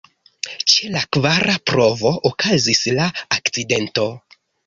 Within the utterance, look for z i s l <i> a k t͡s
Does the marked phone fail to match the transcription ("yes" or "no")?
yes